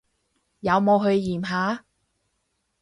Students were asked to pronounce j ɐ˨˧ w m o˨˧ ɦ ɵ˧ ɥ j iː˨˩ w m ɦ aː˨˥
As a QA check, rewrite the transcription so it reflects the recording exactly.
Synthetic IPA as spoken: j ɐ˨˧ w m o˨˧ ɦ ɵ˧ ɥ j iː˨˩ m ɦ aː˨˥